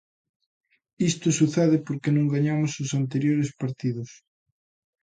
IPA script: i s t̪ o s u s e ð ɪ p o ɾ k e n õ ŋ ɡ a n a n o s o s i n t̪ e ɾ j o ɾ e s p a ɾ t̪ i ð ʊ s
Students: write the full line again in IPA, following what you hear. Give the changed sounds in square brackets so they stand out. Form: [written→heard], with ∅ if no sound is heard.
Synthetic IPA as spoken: i s t̪ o s u [s→θ] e ð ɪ p o ɾ k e n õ ŋ ɡ a [n→ɲ] a [n→m] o s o s [i→a] n t̪ e ɾ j o ɾ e s p a ɾ t̪ i ð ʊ s